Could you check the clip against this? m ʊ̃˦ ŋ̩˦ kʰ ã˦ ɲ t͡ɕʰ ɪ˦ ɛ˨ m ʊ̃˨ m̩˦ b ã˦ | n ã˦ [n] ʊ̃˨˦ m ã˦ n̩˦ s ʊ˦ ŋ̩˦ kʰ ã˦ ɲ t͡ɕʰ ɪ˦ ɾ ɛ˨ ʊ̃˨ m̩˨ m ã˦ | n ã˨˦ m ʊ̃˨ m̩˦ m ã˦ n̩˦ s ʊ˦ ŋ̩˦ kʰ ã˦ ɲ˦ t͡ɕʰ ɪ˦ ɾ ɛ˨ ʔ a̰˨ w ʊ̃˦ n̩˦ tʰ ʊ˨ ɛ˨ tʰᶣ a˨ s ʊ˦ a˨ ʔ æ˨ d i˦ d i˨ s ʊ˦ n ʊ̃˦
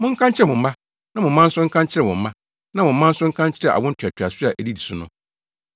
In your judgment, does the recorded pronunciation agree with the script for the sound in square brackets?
no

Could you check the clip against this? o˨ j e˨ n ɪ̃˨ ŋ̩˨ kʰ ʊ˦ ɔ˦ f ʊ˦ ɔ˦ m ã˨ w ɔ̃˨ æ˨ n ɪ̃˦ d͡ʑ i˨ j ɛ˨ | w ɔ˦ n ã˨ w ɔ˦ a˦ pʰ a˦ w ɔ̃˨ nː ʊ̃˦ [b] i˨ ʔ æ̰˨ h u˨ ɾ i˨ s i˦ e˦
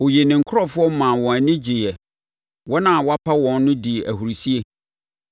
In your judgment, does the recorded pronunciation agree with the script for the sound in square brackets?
no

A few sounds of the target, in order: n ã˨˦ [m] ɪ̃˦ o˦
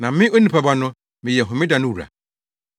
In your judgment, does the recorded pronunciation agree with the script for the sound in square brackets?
yes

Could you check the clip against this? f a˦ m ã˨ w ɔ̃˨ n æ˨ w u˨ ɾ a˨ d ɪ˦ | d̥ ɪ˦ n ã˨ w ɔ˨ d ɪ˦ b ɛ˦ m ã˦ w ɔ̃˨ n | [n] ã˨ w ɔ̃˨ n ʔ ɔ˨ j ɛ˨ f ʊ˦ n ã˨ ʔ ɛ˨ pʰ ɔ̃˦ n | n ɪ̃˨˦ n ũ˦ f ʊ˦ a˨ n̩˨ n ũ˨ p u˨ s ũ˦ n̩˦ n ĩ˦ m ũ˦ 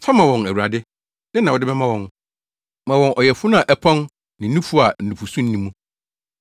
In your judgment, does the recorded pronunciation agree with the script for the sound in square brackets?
no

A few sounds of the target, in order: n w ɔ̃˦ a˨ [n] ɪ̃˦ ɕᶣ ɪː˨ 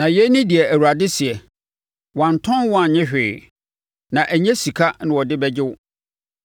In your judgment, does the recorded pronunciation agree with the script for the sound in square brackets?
no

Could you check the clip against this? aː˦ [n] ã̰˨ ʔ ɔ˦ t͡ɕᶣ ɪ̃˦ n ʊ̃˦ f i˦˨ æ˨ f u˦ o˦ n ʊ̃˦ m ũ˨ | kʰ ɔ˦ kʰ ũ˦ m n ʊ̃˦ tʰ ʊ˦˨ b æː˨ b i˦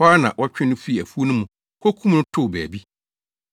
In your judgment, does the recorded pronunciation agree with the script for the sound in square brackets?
yes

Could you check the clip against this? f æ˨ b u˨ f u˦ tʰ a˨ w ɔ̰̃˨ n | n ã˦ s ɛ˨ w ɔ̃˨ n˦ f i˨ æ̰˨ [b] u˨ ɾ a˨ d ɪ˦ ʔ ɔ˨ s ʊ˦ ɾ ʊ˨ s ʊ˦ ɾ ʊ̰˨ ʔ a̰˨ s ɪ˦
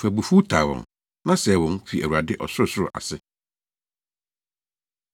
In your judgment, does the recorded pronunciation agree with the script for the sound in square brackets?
no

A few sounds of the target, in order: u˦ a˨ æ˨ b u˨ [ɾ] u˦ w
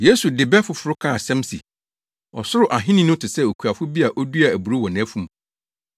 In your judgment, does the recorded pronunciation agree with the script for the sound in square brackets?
yes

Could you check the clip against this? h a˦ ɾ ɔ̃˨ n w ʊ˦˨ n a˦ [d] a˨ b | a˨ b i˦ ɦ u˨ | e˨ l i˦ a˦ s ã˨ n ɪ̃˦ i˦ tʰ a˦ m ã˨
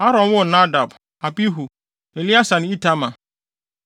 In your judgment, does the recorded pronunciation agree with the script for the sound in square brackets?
yes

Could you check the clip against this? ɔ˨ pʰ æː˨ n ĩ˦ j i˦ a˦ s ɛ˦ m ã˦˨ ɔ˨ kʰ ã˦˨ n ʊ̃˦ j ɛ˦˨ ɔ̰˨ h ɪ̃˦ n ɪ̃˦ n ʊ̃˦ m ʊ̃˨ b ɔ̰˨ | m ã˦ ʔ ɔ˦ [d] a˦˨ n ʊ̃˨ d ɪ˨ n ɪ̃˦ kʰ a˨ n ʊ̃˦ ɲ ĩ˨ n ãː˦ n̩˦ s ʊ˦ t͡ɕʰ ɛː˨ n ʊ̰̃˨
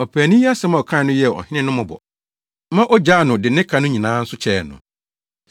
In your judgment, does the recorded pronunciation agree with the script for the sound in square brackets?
no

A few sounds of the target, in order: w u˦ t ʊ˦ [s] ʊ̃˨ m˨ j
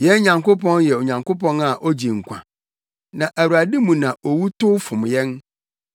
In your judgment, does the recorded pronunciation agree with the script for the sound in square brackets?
no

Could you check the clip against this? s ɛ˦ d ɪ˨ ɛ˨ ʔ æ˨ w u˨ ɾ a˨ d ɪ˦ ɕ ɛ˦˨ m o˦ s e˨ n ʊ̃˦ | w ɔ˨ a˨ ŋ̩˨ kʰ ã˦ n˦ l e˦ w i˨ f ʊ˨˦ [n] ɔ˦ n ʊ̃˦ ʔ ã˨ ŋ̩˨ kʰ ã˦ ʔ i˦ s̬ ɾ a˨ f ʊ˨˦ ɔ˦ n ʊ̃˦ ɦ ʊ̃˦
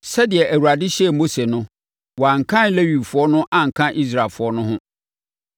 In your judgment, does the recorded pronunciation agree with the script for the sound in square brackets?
no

